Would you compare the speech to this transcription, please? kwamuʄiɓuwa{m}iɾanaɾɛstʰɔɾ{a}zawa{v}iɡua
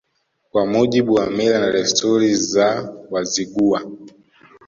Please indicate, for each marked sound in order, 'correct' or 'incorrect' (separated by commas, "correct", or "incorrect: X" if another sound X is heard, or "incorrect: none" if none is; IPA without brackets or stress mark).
correct, incorrect: i, incorrect: z